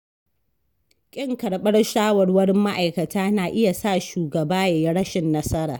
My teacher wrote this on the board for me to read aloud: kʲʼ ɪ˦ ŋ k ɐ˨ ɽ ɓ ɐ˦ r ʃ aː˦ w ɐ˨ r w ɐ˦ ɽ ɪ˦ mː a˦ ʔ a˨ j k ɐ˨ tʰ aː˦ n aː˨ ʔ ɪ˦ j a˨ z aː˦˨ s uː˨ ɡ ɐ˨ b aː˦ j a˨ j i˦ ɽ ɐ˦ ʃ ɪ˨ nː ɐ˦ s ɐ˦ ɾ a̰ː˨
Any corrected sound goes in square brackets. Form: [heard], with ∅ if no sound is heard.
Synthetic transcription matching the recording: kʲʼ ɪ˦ ŋ k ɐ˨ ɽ ɓ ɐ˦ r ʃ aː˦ w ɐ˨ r w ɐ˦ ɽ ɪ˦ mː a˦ ʔ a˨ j k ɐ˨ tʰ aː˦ n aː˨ ʔ ɪ˦ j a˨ [s] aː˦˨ [ʃ] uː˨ ɡ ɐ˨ b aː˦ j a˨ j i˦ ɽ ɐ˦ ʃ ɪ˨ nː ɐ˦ s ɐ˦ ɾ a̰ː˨

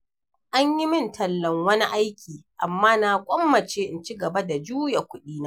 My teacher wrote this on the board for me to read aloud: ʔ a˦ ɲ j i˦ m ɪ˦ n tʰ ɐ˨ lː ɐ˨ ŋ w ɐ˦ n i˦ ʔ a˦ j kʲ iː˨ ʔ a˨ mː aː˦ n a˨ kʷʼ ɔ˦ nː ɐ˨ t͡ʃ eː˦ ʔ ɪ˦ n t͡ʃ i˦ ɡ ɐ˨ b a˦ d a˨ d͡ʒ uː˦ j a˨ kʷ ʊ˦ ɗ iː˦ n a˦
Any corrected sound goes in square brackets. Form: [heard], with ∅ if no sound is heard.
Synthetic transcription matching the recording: ʔ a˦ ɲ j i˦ m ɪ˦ n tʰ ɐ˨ lː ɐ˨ ŋ w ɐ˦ n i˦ ʔ a˦ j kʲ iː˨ ʔ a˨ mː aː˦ n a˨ kʷʼ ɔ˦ [mː] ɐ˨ t͡ʃ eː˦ ʔ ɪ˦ n t͡ʃ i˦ ɡ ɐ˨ b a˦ d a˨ d͡ʒ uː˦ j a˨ kʷ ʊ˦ ɗ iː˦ n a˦

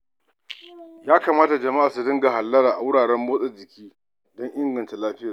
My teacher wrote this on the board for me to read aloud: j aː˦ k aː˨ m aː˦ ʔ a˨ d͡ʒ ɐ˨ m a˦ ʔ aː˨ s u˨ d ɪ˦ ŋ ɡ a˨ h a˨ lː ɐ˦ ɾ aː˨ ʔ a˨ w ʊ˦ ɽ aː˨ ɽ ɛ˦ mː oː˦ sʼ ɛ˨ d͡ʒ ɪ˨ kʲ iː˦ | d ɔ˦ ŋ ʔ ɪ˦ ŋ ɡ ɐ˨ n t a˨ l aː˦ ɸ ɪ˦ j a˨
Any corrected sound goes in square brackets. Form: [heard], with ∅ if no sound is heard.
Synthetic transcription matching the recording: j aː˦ k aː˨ m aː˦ [t] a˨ d͡ʒ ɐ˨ m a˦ ʔ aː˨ s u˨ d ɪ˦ ŋ ɡ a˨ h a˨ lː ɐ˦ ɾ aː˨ ʔ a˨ w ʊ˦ ɽ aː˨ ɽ ɛ˦ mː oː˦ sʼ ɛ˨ d͡ʒ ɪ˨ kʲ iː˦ | d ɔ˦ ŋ ʔ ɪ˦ ŋ ɡ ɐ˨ n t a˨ l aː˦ ɸ ɪ˦ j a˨

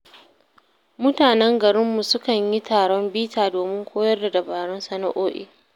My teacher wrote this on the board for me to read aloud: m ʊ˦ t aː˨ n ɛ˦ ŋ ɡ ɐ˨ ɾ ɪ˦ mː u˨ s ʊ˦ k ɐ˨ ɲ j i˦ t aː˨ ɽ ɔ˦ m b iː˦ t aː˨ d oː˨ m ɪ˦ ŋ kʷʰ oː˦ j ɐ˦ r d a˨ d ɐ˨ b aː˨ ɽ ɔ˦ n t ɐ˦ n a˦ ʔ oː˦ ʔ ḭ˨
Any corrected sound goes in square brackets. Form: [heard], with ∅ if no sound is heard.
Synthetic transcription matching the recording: m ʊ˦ t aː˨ n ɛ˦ ŋ ɡ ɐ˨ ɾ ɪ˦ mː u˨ s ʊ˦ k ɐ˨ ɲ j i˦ t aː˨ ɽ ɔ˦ m b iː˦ t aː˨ d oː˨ m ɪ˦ ŋ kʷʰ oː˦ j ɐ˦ r d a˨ d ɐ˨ b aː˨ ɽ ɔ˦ n [s] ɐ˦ n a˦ ʔ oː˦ ʔ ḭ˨

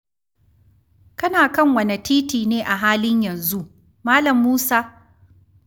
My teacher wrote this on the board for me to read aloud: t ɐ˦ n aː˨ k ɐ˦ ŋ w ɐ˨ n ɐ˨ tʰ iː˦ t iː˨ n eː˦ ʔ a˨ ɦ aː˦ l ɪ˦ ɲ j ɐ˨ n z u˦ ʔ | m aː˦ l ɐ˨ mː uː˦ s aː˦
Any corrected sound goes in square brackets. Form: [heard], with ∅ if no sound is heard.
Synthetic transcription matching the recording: [k] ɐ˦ n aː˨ k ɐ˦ ŋ w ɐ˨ n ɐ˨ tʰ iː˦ t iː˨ n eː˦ ʔ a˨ ɦ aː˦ l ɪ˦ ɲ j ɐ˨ n z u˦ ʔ | m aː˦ l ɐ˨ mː uː˦ s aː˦

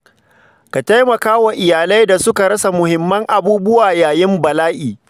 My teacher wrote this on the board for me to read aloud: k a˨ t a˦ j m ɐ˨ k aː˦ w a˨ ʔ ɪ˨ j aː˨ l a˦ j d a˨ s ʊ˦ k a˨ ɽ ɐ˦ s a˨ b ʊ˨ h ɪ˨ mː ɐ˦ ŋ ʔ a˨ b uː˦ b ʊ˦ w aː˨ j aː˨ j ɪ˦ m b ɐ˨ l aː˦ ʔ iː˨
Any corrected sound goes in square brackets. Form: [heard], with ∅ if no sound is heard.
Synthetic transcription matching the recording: k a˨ t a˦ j m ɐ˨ k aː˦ w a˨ ʔ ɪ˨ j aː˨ l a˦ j d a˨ s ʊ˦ k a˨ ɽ ɐ˦ s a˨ [m] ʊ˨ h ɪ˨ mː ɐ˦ ŋ ʔ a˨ b uː˦ b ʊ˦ w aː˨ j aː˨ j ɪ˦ m b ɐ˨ l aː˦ ʔ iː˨

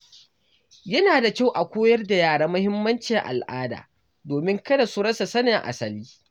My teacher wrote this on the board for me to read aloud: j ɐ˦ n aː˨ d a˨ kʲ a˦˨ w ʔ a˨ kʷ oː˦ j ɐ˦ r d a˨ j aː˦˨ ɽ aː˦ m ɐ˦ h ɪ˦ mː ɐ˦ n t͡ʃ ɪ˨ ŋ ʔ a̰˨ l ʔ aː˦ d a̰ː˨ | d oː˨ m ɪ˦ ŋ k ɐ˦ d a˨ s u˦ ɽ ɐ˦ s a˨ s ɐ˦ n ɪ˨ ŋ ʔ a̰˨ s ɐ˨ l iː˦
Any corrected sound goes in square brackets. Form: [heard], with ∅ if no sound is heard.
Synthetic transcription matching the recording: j ɐ˦ n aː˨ d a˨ kʲ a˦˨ w ʔ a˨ kʷ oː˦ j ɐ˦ r d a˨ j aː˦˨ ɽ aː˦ m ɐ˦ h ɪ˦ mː ɐ˦ n t͡ʃ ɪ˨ ŋ ʔ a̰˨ l ʔ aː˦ d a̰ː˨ | d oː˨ m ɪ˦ ŋ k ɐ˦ d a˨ s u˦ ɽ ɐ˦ s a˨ s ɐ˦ n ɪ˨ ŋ ʔ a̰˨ s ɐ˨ l iː˦

